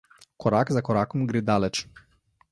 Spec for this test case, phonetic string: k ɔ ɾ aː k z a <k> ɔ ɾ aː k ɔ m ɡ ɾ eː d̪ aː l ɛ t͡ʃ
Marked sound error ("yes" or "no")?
no